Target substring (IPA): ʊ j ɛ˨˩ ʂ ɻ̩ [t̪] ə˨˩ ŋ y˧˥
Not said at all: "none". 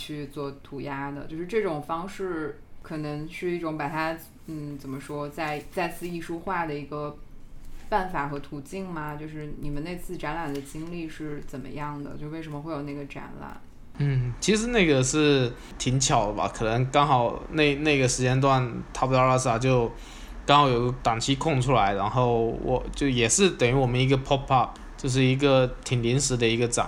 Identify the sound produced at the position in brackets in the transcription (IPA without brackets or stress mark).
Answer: t̪